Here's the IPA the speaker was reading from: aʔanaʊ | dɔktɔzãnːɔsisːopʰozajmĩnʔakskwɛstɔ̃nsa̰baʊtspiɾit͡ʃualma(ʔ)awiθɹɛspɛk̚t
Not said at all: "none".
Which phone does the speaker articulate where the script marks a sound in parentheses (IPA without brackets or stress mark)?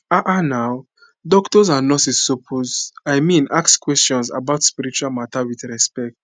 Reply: t